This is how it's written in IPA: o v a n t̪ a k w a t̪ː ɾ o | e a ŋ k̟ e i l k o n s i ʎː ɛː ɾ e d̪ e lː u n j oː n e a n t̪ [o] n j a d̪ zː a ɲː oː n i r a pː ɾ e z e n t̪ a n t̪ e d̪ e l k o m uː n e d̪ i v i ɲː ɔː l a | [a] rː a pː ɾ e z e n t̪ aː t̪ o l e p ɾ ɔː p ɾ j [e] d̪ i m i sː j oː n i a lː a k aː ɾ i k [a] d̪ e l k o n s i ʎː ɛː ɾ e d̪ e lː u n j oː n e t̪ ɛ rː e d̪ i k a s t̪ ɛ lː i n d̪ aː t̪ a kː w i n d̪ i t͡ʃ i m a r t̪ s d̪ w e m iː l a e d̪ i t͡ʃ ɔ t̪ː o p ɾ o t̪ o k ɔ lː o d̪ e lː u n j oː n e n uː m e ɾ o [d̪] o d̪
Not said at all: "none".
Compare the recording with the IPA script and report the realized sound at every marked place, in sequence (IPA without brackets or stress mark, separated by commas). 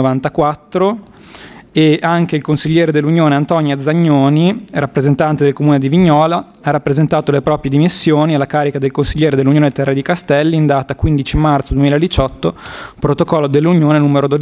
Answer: ɔ, a, e, a, d̪